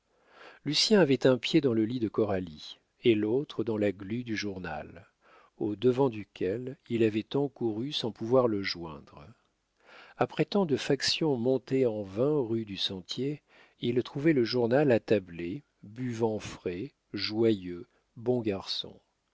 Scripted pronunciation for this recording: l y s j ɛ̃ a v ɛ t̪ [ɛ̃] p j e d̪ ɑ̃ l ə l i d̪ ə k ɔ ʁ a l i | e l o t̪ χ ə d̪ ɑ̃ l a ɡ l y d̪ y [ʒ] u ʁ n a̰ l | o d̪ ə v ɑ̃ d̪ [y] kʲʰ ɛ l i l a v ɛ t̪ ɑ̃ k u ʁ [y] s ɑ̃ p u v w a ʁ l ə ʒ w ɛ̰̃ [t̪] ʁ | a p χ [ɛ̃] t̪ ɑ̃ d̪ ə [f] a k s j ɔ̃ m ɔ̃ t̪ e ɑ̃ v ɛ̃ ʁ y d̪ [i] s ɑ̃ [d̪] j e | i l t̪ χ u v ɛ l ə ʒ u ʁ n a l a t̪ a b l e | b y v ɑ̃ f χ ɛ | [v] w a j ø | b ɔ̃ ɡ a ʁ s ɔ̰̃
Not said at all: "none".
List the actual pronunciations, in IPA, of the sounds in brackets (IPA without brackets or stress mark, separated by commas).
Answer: ɛ̃, ʒ, y, y, d̪, ɛ, f, y, t̪, ʒ